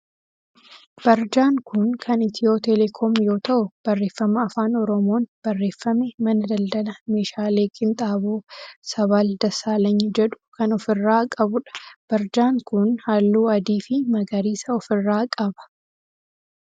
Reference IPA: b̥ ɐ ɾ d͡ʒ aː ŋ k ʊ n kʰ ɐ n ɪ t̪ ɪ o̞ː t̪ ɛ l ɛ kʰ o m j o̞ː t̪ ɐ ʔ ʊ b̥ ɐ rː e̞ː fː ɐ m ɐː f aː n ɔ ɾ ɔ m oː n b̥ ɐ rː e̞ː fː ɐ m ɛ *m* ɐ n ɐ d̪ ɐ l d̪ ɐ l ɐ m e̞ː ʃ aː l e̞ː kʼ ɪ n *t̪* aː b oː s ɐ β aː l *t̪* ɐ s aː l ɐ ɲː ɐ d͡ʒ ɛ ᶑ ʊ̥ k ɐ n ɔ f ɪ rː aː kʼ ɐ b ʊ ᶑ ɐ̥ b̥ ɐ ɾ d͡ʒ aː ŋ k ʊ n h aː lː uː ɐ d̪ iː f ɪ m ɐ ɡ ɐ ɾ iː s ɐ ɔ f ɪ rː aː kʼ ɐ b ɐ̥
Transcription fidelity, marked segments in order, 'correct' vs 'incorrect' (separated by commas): correct, incorrect, incorrect